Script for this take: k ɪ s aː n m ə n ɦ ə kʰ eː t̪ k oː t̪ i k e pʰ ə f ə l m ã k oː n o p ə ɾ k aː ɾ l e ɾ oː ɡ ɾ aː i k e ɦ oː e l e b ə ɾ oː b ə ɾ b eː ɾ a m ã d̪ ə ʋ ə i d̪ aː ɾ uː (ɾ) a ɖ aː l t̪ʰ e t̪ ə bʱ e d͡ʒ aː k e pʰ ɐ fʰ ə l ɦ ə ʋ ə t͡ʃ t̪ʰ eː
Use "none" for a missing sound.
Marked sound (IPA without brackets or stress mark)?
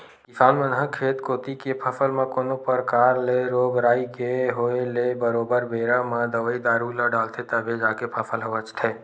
l